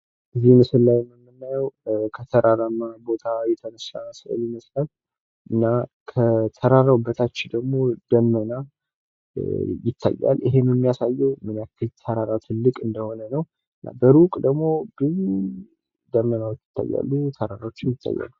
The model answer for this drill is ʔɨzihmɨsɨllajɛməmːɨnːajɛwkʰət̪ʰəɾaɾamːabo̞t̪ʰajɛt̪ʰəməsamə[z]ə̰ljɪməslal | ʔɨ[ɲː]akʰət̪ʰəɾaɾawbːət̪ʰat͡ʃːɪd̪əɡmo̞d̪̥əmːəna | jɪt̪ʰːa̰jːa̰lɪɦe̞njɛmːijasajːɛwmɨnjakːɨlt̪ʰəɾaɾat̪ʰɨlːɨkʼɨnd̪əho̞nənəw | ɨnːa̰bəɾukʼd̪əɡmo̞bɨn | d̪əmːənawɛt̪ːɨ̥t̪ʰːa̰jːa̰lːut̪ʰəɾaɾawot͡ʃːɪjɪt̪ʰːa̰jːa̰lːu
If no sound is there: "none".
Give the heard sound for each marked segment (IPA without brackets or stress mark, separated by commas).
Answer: s, nː